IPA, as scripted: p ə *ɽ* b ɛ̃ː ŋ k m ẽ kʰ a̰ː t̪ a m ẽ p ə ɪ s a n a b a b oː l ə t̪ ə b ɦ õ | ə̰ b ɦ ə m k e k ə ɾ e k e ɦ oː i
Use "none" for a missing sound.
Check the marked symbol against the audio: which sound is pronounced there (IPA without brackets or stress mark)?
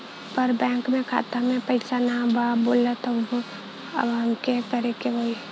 ɾ